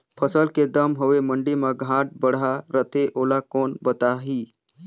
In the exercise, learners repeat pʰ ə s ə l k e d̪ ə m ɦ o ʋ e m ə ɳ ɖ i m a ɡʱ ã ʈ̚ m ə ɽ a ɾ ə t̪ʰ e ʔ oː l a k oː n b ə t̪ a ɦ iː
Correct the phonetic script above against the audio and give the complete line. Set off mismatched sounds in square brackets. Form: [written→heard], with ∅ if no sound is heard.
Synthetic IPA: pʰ ə s ə l k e d̪ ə m ɦ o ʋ e m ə ɳ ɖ i m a ɡʱ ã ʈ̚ [m→b] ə ɽ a ɾ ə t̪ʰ e ʔ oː l a k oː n b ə t̪ a ɦ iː